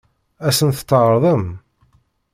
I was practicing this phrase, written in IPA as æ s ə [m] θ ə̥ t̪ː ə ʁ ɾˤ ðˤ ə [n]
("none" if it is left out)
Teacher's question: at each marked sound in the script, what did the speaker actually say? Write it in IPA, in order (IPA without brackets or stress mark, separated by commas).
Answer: n, m